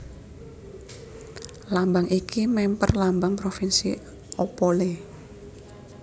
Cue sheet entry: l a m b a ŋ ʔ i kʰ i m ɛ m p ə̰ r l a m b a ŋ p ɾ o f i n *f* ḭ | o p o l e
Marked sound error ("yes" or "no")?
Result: yes